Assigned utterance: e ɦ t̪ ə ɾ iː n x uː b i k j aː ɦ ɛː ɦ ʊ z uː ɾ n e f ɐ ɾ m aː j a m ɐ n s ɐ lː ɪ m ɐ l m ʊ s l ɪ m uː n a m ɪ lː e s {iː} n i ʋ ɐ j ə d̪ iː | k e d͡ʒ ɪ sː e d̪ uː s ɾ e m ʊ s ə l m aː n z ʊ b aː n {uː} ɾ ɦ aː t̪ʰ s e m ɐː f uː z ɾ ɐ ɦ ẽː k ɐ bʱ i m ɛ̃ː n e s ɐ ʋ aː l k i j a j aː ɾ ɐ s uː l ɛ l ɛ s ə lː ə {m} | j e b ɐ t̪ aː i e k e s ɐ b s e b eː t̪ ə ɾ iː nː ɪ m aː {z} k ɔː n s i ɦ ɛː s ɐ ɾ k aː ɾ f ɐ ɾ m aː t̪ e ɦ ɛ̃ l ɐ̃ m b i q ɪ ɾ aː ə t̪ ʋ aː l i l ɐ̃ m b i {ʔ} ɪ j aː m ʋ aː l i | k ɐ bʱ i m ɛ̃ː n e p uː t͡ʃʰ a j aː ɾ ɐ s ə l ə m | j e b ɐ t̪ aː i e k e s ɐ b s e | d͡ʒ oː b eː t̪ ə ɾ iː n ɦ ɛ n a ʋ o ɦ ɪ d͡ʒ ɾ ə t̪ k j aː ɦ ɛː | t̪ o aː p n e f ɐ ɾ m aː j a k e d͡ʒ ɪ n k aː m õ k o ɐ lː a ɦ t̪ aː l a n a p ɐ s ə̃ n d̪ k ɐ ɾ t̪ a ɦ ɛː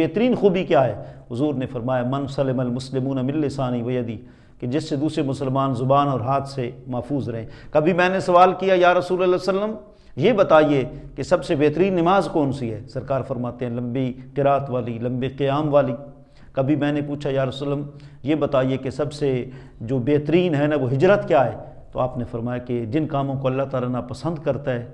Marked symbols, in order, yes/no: no, no, yes, yes, no

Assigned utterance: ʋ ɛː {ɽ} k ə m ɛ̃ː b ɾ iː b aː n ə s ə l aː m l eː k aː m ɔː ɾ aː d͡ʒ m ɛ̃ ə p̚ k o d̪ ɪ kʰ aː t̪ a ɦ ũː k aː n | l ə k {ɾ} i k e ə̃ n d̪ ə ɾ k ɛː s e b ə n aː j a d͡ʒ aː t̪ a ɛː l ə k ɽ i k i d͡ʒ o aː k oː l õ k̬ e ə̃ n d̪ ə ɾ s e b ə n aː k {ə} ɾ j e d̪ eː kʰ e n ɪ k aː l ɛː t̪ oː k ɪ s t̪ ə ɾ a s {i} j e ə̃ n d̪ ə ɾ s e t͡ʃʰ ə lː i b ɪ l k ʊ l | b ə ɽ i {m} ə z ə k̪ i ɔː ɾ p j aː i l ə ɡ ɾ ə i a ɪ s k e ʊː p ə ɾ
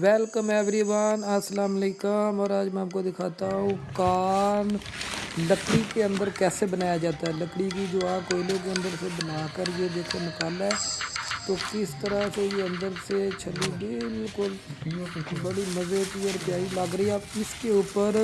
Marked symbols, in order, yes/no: no, no, yes, no, yes

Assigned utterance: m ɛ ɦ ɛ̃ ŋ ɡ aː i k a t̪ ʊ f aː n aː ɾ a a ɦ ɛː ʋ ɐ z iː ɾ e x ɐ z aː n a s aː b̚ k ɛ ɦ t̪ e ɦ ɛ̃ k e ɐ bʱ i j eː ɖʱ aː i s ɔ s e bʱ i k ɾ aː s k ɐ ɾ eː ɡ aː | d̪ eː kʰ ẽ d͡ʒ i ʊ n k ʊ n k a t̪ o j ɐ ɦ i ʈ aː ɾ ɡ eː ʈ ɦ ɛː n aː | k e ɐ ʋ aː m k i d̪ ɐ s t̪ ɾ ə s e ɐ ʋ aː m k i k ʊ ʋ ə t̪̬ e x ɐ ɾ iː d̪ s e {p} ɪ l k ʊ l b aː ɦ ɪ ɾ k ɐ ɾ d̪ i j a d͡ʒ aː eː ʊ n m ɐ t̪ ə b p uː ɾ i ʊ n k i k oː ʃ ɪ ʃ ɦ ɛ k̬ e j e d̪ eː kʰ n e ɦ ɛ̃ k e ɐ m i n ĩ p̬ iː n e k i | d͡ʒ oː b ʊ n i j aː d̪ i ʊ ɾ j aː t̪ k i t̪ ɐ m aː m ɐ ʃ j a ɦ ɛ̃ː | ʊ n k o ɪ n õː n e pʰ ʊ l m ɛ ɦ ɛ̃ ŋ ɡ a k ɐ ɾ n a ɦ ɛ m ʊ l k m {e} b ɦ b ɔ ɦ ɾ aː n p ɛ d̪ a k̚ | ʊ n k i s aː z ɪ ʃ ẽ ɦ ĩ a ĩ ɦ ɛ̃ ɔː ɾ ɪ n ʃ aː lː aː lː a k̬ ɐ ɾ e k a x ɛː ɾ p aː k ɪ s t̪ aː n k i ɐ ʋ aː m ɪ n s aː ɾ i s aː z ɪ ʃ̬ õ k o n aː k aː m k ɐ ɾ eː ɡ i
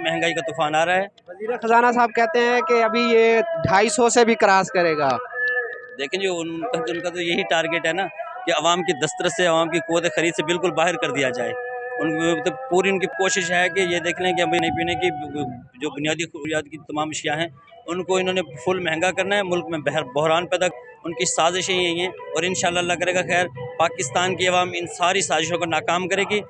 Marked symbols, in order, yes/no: no, no

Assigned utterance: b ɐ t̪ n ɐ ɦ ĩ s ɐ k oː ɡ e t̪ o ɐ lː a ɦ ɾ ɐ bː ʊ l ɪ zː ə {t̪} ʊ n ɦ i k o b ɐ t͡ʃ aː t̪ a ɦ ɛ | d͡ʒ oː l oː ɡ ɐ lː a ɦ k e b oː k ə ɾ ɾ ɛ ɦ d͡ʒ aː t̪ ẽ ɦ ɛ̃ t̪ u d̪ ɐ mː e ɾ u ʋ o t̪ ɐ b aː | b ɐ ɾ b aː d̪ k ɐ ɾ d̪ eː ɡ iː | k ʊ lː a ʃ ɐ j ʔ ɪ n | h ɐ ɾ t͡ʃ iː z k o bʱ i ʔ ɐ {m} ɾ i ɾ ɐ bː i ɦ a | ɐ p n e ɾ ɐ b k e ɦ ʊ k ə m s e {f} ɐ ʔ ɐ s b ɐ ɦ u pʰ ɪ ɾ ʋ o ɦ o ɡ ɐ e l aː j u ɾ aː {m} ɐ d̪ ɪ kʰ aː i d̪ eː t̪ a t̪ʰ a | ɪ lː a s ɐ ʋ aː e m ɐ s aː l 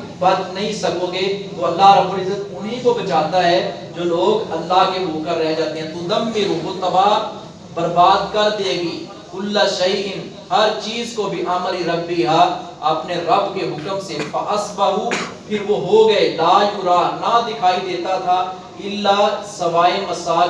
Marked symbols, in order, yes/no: yes, yes, yes, no

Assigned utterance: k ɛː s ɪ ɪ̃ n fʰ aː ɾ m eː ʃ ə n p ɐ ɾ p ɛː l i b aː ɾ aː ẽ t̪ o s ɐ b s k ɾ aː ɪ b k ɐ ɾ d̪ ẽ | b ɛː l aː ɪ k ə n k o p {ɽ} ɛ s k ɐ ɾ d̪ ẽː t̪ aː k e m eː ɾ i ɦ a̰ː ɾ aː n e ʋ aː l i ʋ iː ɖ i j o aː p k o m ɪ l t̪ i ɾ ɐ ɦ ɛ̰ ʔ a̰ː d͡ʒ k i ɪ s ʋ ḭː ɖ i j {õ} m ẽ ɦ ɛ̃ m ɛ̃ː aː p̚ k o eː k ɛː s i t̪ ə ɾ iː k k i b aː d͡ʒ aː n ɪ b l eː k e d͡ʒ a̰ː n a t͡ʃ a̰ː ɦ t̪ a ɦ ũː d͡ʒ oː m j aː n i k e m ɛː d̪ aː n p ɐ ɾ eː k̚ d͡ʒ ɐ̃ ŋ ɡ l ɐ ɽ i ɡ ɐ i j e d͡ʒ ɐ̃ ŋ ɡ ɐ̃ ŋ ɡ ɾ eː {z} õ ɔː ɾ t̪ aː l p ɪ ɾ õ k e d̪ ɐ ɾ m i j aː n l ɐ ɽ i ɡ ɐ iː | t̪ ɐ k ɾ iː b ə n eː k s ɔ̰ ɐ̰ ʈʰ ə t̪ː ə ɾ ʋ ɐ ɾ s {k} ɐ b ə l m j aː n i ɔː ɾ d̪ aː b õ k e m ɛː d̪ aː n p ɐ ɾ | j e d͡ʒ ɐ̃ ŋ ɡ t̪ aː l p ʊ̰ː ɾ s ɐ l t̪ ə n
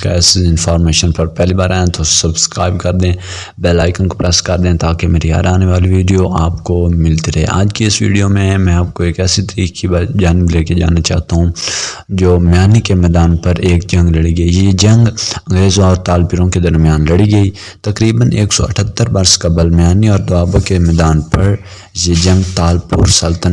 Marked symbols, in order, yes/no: no, no, yes, yes

